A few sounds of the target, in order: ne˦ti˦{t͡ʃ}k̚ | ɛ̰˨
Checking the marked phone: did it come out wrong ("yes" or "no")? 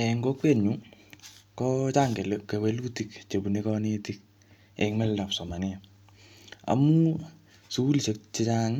yes